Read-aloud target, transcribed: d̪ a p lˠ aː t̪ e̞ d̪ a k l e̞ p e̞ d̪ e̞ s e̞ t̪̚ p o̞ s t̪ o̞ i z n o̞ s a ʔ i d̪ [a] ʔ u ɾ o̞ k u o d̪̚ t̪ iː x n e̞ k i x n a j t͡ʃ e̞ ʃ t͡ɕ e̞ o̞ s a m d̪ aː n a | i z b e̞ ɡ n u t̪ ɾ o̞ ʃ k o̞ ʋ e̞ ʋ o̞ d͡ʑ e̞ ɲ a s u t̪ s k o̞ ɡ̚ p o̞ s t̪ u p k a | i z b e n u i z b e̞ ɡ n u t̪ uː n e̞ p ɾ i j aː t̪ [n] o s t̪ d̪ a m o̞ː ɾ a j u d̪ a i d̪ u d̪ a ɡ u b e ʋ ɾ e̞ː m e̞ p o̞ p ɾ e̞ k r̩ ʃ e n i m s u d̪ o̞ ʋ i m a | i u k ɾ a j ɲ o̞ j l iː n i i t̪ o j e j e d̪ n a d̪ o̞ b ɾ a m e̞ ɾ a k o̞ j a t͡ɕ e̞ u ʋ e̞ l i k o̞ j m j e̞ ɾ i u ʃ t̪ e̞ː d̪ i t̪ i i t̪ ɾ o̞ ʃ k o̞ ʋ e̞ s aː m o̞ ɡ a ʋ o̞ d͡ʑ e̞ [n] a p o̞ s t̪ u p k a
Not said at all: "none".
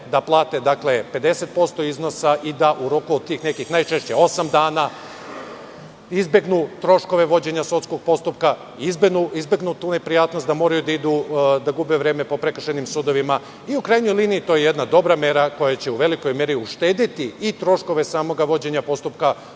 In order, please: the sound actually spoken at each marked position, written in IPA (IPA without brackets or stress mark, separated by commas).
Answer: a, n, ɲ